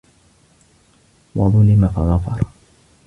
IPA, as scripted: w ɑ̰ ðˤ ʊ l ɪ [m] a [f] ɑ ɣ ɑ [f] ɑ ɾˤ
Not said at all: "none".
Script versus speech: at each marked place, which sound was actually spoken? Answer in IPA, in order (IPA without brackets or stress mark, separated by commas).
m, f, f